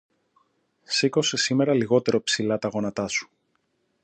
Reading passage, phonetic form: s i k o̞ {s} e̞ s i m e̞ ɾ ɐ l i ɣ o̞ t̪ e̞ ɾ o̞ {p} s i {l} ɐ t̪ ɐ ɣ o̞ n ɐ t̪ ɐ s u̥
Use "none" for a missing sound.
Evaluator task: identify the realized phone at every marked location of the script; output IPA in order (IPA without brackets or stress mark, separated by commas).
s, p, l